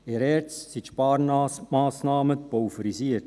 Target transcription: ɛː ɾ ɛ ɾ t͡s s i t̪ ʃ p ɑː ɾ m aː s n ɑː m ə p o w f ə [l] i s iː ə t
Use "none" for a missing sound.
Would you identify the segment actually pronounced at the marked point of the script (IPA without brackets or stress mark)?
ɾ